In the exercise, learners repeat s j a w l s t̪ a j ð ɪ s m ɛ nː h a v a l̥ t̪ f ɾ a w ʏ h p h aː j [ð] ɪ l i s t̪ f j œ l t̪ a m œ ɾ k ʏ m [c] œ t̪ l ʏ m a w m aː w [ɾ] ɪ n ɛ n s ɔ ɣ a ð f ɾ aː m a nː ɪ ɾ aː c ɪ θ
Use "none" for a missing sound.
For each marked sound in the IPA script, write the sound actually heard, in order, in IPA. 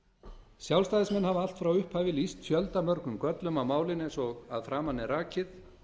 v, k, l

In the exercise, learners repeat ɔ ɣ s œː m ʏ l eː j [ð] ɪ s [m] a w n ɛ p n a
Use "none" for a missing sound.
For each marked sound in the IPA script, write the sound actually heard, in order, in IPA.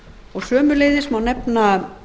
ð, m

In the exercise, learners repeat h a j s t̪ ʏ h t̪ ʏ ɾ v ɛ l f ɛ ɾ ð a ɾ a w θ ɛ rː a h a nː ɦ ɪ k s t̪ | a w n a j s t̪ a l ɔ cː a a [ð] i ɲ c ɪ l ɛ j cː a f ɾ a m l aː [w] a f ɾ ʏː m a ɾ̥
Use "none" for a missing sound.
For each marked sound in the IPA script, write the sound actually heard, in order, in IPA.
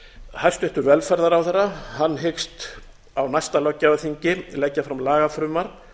θ, ɣ

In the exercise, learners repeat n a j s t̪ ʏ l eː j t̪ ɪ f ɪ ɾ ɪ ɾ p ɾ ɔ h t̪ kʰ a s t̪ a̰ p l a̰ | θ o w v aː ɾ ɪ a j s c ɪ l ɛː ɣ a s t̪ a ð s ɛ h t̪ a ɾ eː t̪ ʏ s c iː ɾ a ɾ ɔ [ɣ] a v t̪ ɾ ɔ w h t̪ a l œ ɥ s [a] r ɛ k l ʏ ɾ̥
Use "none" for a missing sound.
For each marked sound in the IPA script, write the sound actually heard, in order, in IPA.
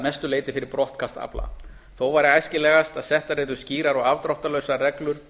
ɣ, a

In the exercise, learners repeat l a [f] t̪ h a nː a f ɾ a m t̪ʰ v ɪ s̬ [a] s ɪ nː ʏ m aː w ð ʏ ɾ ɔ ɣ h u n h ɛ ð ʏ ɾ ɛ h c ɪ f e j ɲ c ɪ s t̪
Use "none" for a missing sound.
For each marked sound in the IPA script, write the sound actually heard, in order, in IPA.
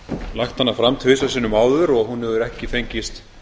x, a

